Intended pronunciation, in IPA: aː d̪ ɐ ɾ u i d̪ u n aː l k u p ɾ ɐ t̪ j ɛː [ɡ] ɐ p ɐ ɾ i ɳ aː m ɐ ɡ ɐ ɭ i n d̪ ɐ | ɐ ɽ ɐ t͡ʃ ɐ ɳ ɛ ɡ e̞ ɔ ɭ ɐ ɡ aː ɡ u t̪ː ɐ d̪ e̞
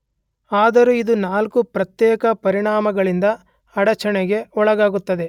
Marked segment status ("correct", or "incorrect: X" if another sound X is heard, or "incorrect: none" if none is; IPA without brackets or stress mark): incorrect: k